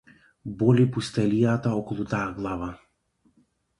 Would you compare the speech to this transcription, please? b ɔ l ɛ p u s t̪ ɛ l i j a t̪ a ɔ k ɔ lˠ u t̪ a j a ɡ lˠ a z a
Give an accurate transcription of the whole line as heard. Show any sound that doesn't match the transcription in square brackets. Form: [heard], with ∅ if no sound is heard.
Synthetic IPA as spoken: b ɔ l [i] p u s t̪ ɛ l i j a t̪ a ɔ k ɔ lˠ u t̪ a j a ɡ lˠ a [v] a